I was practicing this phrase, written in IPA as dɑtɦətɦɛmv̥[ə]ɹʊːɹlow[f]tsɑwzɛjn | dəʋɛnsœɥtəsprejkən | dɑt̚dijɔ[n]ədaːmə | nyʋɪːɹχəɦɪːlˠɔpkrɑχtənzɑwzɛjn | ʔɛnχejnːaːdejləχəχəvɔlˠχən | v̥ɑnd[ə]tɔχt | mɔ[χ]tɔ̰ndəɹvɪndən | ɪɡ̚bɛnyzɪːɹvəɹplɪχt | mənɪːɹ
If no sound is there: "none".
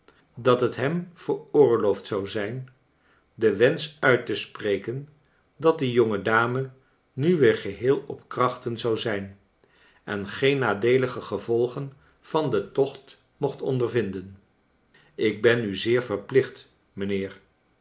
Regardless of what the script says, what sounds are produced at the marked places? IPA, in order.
ə, f, ŋ, ə, χ

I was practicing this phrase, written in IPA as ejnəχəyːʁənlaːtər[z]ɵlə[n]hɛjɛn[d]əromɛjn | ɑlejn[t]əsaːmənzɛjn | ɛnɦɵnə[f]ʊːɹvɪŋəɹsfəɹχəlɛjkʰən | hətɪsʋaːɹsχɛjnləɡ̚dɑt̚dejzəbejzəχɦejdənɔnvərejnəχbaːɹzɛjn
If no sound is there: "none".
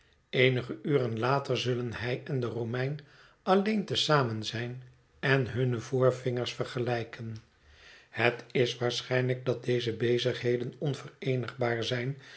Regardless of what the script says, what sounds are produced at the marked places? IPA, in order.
z, n, d, t, v

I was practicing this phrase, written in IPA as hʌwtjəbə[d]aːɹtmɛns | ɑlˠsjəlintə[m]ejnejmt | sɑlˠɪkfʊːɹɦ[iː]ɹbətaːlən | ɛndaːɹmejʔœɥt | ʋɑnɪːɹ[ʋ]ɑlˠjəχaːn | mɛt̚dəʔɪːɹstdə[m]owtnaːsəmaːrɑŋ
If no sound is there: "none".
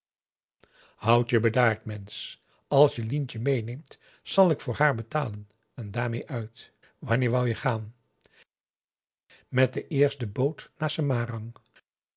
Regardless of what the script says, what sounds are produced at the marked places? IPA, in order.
d, m, aː, ʋ, b

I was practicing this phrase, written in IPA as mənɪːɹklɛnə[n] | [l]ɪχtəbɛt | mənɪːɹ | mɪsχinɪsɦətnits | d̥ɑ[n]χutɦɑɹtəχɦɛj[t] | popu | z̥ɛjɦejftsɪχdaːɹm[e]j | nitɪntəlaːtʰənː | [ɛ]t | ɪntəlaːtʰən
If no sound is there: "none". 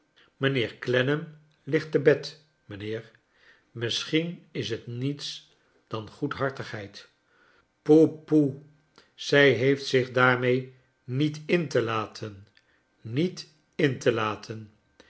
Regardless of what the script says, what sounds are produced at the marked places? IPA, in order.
m, l, n, t, e, i

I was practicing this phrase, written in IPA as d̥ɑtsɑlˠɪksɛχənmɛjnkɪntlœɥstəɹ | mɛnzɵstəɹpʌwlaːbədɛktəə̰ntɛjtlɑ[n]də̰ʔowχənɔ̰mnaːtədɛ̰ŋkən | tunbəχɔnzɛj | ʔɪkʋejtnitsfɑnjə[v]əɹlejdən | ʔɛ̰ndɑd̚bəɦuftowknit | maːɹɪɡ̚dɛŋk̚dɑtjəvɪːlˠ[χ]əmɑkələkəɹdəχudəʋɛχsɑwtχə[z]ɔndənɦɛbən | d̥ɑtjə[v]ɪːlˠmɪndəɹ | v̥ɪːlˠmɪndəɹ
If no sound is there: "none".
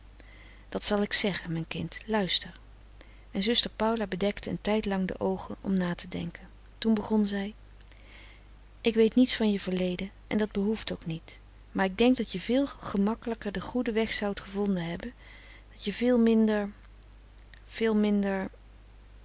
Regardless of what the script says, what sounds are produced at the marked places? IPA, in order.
ŋ, v, χ, v, v

